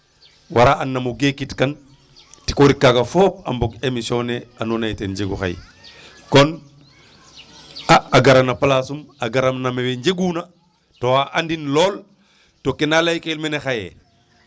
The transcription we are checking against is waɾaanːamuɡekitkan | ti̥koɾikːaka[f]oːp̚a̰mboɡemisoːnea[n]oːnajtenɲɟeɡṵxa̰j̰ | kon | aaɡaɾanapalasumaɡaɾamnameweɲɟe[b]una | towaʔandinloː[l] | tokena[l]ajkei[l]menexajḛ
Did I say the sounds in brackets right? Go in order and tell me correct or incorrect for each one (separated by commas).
correct, correct, incorrect, correct, correct, correct